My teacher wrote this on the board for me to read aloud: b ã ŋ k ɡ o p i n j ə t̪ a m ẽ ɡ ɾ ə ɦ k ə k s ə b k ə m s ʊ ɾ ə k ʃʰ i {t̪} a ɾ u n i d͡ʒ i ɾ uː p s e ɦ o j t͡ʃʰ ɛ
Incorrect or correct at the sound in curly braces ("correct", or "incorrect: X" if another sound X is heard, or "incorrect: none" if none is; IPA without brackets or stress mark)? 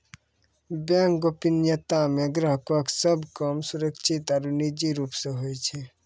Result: correct